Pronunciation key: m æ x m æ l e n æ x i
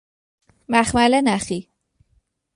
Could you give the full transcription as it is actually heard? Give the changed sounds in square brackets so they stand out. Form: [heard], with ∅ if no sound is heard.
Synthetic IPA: m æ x m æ l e n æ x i